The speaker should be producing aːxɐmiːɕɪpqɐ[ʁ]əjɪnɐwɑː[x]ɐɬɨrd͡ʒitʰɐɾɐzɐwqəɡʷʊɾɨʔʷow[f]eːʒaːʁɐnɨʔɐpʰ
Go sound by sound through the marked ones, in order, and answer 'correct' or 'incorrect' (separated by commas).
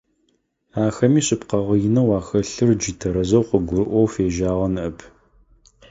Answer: correct, correct, correct